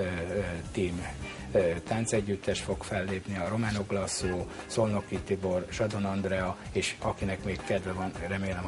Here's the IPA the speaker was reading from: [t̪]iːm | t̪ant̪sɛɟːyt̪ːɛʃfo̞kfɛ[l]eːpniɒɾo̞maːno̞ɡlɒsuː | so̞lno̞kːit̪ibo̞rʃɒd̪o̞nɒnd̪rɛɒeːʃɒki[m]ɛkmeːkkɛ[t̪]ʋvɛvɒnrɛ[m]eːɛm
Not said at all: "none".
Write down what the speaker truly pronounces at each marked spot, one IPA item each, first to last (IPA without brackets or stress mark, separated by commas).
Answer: t̪, lː, n, d̪, m